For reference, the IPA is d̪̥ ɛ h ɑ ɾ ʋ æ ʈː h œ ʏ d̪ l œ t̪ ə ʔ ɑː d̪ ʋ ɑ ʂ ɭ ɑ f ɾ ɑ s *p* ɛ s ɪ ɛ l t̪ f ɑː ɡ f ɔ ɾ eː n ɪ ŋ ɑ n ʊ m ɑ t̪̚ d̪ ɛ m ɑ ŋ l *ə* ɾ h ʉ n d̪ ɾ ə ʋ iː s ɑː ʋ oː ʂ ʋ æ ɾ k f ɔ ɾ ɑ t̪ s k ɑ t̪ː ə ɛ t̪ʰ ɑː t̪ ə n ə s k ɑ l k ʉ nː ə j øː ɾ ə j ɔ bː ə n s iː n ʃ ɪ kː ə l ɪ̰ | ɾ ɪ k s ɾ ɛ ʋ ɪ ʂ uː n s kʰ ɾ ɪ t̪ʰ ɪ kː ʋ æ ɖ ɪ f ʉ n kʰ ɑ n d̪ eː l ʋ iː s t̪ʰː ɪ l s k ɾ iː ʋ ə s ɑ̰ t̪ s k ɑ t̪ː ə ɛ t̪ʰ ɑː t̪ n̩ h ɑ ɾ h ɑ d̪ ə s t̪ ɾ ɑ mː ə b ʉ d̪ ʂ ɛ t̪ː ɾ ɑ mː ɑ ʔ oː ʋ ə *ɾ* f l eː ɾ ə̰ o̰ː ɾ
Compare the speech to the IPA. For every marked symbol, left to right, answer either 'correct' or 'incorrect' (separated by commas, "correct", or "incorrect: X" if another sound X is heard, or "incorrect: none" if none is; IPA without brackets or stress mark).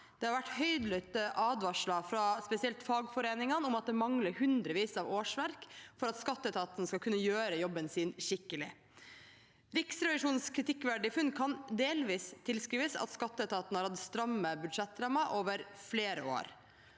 correct, correct, correct